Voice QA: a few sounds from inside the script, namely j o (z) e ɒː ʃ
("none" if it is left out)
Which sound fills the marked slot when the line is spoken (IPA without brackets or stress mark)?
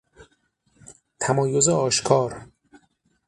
z